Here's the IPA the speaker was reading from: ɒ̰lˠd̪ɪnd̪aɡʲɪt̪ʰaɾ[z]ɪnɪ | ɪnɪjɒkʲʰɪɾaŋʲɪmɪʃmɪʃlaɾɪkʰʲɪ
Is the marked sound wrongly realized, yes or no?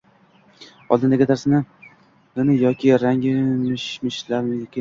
yes